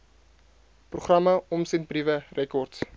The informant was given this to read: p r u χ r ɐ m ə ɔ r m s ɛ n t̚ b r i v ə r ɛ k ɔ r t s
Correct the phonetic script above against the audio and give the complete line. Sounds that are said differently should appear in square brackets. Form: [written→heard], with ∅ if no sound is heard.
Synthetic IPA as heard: p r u χ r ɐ m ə ɔ [r→∅] m s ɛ n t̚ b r i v ə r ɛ k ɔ r t s